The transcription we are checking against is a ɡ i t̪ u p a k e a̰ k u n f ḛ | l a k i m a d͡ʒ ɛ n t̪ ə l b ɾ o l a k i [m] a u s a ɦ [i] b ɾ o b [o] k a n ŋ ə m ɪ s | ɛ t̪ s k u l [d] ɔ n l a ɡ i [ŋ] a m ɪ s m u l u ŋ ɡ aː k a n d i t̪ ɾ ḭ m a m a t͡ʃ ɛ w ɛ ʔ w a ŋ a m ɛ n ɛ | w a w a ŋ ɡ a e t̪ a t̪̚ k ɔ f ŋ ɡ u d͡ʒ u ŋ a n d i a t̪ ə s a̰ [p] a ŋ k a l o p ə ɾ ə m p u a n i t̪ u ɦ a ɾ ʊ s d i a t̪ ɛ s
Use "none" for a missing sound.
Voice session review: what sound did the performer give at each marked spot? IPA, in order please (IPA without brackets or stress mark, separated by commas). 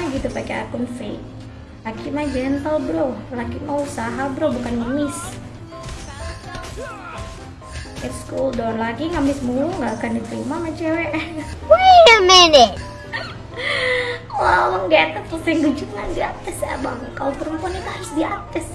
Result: m, a, u, d, ŋ, b